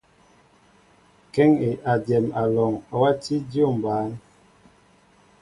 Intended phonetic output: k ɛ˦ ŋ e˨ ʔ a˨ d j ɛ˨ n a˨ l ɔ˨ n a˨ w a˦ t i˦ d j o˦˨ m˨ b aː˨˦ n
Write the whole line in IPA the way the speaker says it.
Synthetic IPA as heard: k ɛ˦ ŋ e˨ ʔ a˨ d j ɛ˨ m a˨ l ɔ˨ ŋ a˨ w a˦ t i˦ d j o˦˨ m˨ b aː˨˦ n